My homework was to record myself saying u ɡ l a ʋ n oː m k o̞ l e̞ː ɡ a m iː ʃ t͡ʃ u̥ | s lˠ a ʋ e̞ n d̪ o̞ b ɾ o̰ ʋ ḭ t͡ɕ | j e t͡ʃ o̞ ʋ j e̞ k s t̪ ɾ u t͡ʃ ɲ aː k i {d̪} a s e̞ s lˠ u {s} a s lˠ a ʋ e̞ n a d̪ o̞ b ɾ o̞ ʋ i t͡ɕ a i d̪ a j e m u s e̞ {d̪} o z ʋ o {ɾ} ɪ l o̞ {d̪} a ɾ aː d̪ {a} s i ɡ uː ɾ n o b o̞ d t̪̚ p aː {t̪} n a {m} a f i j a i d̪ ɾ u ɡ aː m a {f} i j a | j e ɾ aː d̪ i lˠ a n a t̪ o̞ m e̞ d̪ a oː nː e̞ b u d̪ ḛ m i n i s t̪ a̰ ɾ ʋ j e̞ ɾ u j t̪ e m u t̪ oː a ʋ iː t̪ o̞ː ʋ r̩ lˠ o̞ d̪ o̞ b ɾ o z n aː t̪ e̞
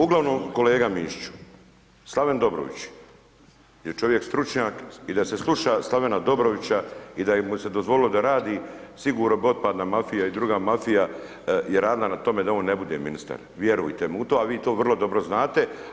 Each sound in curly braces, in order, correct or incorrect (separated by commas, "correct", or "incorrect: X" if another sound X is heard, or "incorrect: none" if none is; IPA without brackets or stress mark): correct, incorrect: ʃ, correct, incorrect: l, correct, incorrect: i, incorrect: d̪, correct, correct